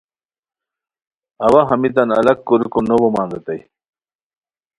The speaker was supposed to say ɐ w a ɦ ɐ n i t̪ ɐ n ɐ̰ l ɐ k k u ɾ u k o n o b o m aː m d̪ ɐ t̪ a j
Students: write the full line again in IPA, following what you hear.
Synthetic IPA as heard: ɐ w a ɦ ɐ m i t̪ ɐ n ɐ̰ l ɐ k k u ɾ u k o n o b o m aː n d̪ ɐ t̪ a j